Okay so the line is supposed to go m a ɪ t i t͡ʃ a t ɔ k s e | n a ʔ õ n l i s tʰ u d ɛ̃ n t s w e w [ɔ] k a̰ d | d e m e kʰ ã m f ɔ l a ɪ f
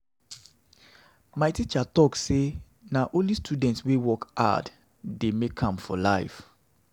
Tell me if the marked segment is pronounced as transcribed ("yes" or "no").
yes